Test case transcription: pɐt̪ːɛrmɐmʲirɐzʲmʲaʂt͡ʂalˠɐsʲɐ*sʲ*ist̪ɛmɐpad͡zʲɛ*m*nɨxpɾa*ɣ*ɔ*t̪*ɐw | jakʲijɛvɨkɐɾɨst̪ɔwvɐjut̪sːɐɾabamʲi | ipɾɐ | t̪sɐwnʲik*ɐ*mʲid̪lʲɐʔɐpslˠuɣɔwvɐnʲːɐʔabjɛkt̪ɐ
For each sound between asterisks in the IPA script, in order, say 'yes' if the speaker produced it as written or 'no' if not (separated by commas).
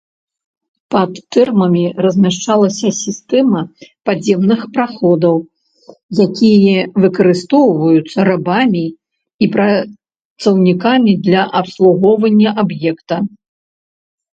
yes, yes, no, no, no